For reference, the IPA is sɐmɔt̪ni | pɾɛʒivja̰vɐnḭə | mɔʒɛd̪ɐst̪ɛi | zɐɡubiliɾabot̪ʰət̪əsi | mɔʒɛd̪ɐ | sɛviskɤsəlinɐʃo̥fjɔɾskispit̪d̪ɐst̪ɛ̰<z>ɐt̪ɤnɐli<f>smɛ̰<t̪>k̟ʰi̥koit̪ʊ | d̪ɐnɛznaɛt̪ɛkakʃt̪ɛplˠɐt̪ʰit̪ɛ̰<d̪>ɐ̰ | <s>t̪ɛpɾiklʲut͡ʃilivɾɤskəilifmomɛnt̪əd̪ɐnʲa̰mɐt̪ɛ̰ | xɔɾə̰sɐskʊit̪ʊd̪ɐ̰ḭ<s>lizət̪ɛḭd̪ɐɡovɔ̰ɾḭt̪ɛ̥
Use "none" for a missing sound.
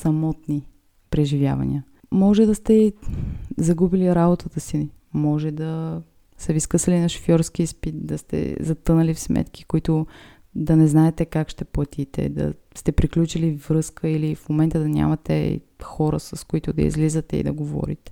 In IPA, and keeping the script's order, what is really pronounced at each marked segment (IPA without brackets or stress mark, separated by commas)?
z, f, t̪, d̪, s, z